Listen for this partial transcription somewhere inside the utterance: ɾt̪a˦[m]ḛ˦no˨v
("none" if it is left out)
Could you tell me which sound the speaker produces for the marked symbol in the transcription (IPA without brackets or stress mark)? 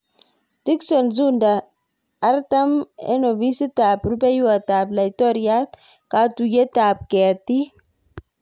m